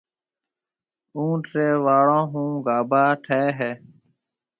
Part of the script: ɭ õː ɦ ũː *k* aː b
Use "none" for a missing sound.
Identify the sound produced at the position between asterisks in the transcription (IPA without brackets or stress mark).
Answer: ɡ